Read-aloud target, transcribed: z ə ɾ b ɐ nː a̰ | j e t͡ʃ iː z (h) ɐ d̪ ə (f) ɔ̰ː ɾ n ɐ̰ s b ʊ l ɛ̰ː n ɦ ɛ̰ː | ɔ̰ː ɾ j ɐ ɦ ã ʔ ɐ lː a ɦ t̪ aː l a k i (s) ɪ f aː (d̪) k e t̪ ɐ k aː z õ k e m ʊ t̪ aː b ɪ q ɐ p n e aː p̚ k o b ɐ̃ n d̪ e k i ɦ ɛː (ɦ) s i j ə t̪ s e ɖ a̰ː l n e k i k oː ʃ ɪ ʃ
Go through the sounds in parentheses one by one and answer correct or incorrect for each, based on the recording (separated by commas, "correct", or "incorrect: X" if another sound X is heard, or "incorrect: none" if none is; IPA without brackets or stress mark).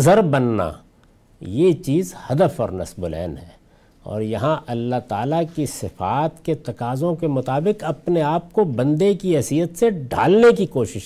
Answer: correct, correct, correct, incorrect: t̪, incorrect: none